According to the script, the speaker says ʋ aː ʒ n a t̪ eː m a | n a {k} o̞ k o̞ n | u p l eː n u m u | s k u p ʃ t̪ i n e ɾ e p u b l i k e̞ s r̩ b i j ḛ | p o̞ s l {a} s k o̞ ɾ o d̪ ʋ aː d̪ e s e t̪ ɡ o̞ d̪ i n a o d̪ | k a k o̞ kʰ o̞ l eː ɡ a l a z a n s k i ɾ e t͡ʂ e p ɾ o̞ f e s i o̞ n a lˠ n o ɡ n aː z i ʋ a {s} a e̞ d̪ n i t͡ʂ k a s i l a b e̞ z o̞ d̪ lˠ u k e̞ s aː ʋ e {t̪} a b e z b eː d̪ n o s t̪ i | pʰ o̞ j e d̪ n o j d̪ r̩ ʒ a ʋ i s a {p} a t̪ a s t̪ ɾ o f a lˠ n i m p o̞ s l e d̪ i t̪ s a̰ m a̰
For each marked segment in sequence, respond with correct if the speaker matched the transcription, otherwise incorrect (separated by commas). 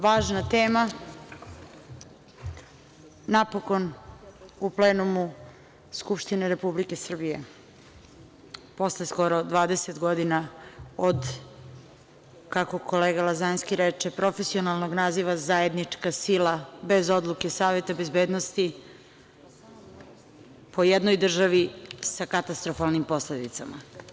incorrect, incorrect, incorrect, correct, incorrect